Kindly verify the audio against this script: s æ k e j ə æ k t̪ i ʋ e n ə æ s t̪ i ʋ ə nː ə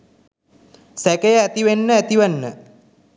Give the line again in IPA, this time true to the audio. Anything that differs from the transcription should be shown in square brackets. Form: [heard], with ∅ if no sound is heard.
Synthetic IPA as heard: s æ k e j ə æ [∅] t̪ i ʋ e [nː] ə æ [∅] t̪ i ʋ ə nː ə